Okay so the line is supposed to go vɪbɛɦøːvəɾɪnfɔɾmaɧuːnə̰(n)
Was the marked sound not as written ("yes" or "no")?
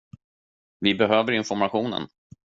no